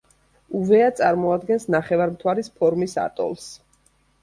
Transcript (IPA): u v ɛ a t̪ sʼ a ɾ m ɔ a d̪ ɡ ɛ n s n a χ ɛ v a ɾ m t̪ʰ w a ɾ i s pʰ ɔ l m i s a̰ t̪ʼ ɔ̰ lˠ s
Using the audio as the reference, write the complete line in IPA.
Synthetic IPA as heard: u v ɛ a t̪ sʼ a ɾ m ɔ a d̪ ɡ ɛ n s n a χ ɛ v a ɾ m t̪ʰ w a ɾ i s pʰ ɔ ɾ m i s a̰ t̪ʼ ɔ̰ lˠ s